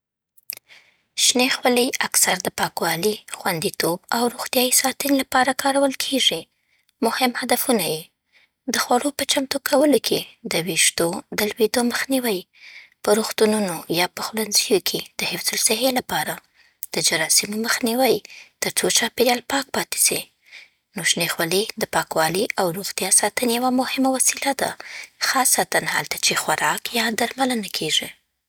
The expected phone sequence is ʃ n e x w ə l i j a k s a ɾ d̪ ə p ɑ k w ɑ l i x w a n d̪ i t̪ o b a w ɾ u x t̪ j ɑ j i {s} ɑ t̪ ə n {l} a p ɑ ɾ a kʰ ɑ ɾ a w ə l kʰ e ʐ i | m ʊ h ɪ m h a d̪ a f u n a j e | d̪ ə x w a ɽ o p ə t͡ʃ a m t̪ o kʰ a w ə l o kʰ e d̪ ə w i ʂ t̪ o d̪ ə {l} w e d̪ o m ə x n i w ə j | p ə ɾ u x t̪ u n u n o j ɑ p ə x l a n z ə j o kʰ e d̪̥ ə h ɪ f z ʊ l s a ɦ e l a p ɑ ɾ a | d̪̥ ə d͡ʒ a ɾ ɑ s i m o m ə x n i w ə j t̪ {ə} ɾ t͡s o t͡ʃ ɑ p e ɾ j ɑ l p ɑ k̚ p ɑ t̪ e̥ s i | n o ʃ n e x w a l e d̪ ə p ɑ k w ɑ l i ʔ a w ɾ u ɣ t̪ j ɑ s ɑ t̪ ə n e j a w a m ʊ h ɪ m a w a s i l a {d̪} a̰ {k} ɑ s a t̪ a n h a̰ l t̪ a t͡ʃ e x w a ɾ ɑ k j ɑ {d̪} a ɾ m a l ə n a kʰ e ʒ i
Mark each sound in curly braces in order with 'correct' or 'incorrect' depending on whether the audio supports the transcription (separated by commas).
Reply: correct, correct, correct, correct, correct, incorrect, correct